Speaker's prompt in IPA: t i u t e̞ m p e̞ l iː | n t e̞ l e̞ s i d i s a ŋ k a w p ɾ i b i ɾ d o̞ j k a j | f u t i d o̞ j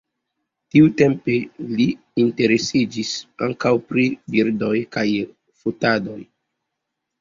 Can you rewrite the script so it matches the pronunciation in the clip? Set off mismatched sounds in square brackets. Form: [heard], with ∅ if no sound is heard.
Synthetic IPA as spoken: t i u t e̞ m p e̞ l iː | n t e̞ [ɾ] e̞ s i [d͡ʒ] i s a ŋ k a w p ɾ i b i ɾ d o̞ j k a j | f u t [a] d o̞ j